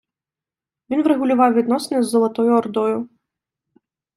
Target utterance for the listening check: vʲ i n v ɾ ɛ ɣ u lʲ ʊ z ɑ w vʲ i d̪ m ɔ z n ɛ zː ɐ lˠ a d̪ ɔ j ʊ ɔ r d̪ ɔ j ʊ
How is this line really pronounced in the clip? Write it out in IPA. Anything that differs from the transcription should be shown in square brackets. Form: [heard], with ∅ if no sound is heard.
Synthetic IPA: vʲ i n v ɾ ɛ ɣ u lʲ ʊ [v] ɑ w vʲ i d̪ [n] ɔ [s] n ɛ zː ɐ lˠ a [t̪] ɔ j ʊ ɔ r d̪ ɔ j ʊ